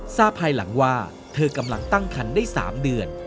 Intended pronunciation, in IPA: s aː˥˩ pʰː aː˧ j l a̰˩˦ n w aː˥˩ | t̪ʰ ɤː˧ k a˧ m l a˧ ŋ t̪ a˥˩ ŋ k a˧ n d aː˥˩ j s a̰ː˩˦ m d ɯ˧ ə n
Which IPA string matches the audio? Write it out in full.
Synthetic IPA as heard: s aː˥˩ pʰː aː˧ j l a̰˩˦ ŋ w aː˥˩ | t̪ʰ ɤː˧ k a˧ m l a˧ ŋ t̪ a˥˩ ŋ kʰ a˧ n d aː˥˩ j s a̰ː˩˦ m d ɯ˧ ə n